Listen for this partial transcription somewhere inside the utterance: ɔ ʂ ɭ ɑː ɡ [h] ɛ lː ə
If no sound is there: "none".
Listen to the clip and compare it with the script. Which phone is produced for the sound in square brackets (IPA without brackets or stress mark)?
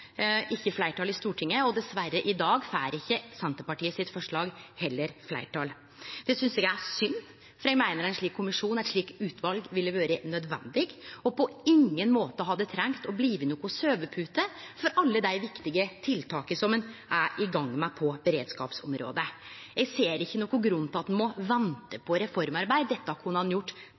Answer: h